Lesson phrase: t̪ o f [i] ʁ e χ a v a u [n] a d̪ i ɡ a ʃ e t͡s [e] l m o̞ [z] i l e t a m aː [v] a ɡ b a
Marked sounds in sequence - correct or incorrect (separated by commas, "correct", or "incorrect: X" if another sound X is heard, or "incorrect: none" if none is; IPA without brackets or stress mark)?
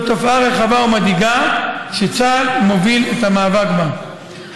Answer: incorrect: a, incorrect: m, incorrect: a, incorrect: v, correct